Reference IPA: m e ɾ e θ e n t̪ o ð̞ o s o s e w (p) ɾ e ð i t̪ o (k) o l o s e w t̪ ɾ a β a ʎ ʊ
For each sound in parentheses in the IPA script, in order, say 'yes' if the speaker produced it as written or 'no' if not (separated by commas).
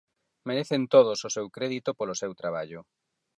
no, no